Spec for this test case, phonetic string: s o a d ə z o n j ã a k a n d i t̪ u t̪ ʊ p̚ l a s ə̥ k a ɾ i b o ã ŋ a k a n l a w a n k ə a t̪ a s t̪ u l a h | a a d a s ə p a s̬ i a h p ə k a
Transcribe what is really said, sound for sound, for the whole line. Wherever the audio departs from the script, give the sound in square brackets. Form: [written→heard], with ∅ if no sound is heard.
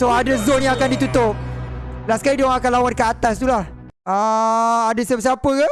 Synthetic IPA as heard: s o a d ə z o n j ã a k a n d i t̪ u t̪ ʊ p̚ l a s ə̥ k a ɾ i [b→d] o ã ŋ a k a n l a w a n k ə a t̪ a s t̪ u l a h | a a d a s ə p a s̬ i a [h→∅] p ə k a